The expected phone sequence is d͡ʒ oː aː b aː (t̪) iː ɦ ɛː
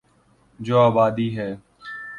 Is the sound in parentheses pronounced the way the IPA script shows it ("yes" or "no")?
no